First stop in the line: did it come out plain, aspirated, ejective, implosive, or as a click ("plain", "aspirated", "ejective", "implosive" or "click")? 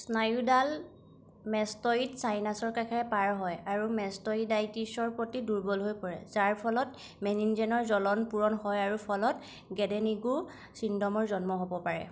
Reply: plain